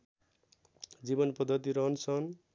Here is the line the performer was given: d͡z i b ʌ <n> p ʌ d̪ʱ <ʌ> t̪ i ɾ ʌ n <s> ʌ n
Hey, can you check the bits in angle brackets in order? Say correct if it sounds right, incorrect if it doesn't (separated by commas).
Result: correct, correct, correct